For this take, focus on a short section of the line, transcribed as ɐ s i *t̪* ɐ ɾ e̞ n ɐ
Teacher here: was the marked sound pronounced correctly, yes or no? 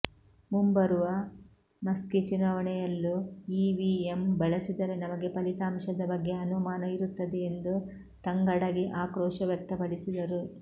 no